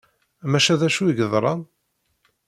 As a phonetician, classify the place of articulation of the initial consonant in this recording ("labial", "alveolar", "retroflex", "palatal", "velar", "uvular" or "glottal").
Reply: labial